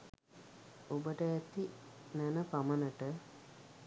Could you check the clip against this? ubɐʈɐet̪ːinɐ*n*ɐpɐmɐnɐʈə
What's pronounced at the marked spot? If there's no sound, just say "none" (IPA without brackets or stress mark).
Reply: n